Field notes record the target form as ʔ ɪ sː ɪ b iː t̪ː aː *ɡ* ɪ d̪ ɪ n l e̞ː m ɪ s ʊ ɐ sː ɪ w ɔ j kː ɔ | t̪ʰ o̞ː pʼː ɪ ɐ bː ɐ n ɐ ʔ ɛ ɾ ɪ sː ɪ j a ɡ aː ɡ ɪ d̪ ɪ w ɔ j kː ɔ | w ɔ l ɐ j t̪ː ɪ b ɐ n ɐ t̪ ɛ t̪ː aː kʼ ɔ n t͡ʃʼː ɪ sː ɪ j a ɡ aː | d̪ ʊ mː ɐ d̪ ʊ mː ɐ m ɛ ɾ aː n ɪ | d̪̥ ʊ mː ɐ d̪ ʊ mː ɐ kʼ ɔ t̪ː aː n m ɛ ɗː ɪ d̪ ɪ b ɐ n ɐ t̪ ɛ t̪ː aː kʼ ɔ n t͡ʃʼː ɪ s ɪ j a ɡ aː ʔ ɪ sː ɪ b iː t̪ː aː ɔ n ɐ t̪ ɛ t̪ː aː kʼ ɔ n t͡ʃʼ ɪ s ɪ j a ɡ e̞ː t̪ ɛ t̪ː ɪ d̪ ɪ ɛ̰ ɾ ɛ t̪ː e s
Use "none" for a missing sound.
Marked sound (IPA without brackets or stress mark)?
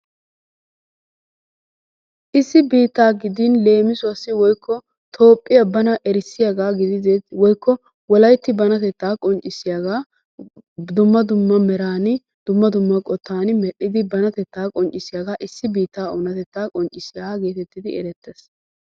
ɡ